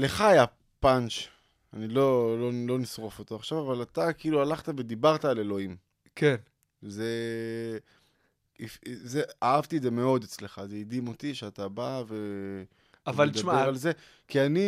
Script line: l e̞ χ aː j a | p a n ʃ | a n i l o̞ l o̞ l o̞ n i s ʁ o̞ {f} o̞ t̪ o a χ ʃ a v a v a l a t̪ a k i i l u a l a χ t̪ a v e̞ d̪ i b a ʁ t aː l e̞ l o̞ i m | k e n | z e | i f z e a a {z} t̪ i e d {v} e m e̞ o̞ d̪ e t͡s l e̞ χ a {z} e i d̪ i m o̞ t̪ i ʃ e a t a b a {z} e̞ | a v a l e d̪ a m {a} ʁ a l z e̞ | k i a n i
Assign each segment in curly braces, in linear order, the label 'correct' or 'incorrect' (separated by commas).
correct, incorrect, incorrect, correct, incorrect, incorrect